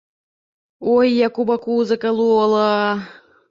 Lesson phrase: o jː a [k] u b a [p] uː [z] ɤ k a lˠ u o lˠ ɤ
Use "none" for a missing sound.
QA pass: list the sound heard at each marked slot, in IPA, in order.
k, k, z

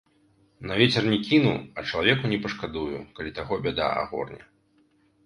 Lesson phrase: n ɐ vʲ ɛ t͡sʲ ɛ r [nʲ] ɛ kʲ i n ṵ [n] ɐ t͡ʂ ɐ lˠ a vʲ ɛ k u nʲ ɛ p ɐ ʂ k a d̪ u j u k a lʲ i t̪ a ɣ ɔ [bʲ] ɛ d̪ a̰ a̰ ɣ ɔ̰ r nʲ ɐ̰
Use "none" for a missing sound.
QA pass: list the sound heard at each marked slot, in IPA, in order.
nʲ, none, bʲ

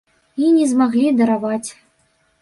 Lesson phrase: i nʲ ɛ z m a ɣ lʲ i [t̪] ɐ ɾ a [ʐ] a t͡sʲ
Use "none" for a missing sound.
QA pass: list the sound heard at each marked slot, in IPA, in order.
d̪, v

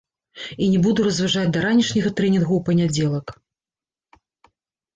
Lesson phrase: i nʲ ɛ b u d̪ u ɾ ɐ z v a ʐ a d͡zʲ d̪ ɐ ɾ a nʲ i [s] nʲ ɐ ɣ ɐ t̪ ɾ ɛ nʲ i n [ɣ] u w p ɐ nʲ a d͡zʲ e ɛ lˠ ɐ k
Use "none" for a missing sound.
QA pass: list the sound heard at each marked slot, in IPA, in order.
ʂ, ɣ

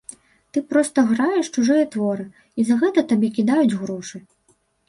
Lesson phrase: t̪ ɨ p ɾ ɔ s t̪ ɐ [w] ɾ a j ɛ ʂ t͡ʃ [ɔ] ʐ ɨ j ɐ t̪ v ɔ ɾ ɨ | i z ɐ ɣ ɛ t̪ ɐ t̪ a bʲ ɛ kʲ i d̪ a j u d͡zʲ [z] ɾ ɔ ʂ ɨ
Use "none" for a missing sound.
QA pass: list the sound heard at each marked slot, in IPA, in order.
ɣ, u, ɣ

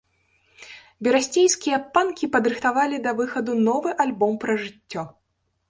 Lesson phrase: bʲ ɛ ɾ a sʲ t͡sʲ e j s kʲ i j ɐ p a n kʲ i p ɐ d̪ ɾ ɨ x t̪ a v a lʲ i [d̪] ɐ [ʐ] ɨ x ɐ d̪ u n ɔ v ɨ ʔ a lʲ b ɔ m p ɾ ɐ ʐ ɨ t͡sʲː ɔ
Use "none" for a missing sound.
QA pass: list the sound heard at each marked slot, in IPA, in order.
d̪, v

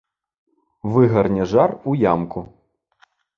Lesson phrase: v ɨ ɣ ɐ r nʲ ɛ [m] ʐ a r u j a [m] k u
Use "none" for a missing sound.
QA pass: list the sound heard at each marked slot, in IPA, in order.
none, m

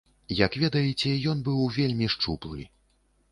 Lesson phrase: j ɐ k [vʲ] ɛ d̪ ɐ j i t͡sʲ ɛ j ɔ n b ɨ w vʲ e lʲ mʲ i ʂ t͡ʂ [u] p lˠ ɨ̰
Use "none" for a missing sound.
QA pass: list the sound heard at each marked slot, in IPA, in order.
vʲ, u

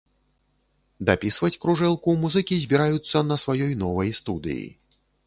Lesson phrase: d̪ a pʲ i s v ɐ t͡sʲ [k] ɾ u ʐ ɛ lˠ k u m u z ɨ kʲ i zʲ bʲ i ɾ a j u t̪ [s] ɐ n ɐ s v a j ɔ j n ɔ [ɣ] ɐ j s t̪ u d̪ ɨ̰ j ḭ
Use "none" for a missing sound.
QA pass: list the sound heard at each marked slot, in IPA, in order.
k, sː, v

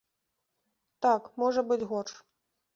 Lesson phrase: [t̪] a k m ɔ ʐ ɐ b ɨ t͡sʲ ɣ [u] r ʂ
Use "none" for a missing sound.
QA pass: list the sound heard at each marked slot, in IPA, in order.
t̪, ɔ

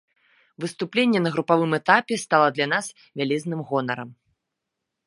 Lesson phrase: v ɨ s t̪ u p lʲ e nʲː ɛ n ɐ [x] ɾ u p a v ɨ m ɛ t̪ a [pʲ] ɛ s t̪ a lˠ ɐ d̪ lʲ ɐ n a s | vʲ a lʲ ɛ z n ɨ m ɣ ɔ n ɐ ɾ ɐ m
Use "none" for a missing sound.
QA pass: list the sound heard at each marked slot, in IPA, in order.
ɣ, pʲ

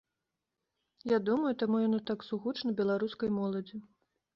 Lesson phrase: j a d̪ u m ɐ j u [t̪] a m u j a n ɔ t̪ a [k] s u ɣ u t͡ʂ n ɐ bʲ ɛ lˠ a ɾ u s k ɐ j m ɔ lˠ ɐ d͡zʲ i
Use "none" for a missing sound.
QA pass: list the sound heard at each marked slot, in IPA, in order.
t̪, k

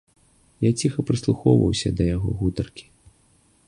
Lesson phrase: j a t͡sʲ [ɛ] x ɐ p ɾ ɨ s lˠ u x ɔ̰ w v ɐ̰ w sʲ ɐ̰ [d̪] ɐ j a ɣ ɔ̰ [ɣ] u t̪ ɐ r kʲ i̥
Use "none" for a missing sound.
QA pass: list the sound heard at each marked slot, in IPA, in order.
i, d̪, ɣ

